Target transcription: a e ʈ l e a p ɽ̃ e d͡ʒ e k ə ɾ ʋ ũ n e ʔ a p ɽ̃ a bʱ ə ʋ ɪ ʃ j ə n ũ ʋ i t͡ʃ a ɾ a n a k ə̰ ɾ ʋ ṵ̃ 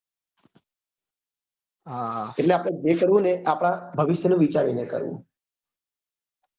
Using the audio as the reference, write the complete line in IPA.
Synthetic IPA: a e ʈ l e a p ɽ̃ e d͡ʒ e k ə ɾ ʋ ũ n e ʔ a p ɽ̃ a bʱ ə ʋ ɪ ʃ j ə n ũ ʋ i t͡ʃ a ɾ i n e k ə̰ ɾ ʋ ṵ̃